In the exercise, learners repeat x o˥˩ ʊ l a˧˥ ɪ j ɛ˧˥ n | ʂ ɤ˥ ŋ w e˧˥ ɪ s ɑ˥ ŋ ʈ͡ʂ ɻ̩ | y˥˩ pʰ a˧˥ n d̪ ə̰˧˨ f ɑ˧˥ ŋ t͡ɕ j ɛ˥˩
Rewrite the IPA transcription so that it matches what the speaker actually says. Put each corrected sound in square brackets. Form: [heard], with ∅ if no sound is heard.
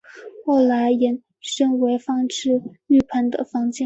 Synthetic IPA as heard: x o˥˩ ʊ l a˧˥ ɪ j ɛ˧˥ n | ʂ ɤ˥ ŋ w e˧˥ ɪ [f] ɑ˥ ŋ ʈ͡ʂ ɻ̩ | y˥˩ pʰ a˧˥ n d̪ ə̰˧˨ f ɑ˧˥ ŋ t͡ɕ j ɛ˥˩